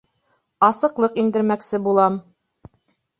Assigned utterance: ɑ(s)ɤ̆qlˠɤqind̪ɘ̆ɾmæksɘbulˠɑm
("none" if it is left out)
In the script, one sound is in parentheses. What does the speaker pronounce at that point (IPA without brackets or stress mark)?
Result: s